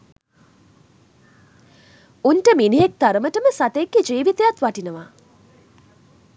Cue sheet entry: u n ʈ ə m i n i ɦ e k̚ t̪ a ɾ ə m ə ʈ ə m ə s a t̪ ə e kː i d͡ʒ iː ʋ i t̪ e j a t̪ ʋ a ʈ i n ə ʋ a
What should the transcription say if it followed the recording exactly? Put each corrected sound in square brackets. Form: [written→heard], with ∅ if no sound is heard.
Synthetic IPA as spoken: u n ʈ ə m i n i ɦ e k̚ t̪ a ɾ ə m ə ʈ ə m ə s a t̪ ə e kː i d͡ʒ iː ʋ i t̪ e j a t̪ ʋ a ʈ i n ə ʋ a